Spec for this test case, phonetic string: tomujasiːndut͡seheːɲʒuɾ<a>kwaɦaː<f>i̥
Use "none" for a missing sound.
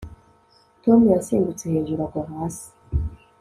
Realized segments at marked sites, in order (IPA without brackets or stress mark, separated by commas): a, s